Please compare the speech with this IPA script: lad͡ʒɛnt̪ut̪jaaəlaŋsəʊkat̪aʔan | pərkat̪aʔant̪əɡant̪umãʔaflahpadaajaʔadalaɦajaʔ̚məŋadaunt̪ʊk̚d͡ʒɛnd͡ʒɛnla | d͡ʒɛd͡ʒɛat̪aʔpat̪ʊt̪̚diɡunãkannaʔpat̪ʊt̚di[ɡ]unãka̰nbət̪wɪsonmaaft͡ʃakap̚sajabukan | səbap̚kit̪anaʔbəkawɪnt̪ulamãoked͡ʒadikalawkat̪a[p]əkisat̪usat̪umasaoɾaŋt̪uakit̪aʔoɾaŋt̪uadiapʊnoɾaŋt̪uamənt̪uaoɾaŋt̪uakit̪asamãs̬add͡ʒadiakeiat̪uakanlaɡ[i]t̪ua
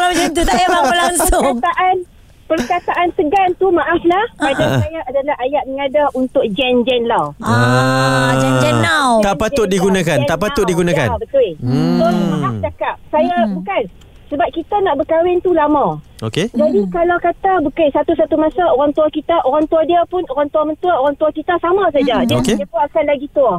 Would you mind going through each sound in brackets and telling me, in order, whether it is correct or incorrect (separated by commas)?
correct, incorrect, correct